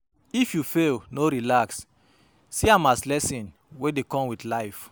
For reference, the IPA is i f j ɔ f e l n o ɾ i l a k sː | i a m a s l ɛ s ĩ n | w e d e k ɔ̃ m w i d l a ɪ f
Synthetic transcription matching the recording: i f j u f e l n o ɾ i l a k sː | i a m a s l ɛ s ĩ n | w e d e k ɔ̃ m w i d l a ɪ f